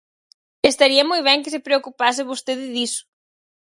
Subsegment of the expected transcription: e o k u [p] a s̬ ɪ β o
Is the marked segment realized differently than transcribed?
no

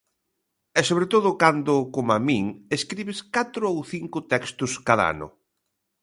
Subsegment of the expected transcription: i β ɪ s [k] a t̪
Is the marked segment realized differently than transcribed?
no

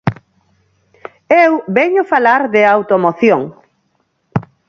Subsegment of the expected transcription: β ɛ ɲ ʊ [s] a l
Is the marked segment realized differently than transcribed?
yes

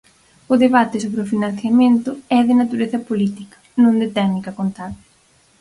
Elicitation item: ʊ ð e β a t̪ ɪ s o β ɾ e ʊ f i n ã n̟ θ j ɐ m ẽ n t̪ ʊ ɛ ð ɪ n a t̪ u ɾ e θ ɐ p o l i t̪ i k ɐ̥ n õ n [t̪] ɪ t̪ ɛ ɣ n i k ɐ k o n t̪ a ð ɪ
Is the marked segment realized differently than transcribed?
yes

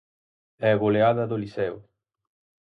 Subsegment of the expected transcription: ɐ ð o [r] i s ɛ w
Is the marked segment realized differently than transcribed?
yes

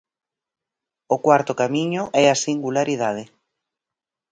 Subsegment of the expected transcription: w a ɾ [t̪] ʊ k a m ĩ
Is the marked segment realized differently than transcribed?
no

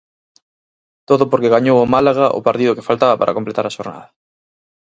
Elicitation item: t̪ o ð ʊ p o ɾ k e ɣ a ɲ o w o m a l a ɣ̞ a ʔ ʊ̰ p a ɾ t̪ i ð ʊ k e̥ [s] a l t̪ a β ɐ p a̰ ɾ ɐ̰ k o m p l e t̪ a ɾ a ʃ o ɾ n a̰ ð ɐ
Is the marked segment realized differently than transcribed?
yes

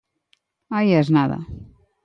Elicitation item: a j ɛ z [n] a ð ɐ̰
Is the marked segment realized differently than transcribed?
no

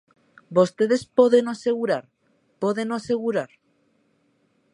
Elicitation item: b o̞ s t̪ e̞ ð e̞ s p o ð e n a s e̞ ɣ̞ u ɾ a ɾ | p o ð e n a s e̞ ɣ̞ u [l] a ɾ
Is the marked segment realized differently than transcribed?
yes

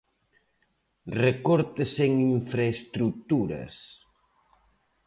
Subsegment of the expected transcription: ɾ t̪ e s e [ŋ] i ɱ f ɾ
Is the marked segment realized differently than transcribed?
no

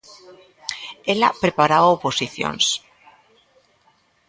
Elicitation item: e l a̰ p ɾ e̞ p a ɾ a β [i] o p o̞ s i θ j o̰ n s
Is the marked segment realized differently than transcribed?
yes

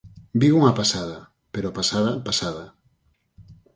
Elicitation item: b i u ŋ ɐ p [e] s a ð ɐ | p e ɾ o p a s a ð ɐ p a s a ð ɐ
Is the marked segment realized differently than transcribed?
yes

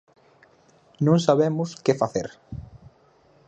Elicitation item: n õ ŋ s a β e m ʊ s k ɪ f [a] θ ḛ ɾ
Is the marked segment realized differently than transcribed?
no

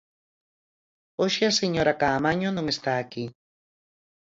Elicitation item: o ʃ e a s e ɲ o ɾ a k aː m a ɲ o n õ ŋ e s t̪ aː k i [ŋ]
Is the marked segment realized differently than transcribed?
yes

